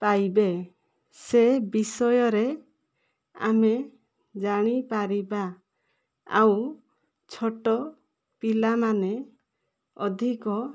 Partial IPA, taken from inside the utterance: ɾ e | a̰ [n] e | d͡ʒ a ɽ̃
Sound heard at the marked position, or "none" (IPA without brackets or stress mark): m